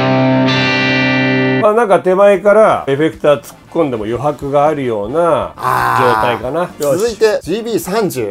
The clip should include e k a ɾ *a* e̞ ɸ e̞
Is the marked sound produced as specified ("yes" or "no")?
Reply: yes